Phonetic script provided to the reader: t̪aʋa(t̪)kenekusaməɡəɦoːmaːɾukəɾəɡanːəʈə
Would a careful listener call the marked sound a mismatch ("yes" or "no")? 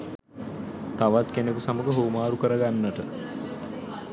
no